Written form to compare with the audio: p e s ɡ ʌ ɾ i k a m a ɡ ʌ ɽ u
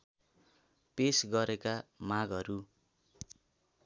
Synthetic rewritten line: p e s ɡ ʌ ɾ e k a m a ɡ ʌ ɾ u